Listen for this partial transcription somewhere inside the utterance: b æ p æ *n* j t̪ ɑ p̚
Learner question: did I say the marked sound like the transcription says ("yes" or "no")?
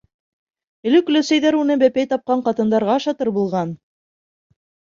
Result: no